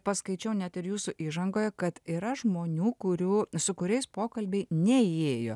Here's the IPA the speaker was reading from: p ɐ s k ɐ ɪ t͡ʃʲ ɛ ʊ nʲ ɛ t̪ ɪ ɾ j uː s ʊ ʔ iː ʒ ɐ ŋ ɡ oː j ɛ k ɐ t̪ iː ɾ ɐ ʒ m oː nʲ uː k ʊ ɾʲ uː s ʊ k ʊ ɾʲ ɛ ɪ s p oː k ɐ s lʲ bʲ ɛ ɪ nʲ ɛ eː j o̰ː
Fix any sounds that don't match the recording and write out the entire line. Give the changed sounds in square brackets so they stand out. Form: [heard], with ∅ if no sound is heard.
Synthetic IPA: p ɐ s k ɐ ɪ t͡ʃʲ ɛ ʊ nʲ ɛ t̪ ɪ ɾ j uː s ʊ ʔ iː ʒ ɐ ŋ ɡ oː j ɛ k ɐ t̪ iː ɾ ɐ ʒ m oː nʲ uː k ʊ ɾʲ uː s ʊ k ʊ ɾʲ ɛ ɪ s p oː k ɐ [∅] lʲ bʲ ɛ ɪ nʲ ɛ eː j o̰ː